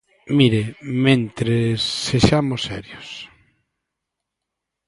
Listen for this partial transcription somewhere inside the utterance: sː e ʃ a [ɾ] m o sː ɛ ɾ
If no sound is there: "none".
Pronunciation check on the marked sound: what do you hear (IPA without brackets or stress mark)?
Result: none